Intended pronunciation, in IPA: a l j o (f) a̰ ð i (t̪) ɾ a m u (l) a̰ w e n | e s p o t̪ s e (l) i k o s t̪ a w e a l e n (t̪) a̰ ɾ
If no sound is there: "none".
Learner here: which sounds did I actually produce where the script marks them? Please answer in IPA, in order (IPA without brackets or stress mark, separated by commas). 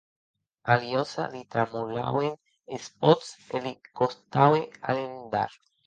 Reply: s, t̪, l, l, d̪